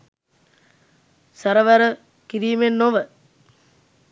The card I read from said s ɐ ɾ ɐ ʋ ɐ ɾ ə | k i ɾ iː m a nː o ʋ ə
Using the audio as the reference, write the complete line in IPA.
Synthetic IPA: s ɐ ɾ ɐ ʋ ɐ ɾ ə | k i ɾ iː m e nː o ʋ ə